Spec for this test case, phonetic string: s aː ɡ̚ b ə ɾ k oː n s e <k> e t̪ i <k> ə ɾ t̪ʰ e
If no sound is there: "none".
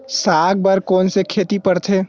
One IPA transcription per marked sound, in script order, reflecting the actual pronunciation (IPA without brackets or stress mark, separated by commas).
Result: kʰ, p